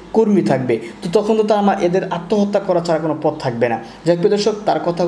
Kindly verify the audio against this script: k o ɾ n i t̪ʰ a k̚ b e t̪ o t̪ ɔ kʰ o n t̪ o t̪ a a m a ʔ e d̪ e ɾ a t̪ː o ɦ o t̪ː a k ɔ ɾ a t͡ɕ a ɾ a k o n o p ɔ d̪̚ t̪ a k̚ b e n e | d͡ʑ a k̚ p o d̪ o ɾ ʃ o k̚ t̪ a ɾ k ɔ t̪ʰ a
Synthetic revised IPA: k o ɾ m i t̪ʰ a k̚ b e t̪ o t̪ ɔ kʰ o n t̪ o t̪ a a m a ʔ e d̪ e ɾ a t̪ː o ɦ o t̪ː a k ɔ ɾ a t͡ɕ a ɾ a k o n o p ɔ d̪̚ t̪ʰ a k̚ b e n a | d͡ʑ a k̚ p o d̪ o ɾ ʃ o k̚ t̪ a ɾ k ɔ t̪ʰ a